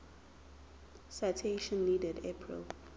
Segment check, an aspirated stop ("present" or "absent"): present